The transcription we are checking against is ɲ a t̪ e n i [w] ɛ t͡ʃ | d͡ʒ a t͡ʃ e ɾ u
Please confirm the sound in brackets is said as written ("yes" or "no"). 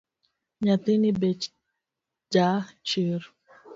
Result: no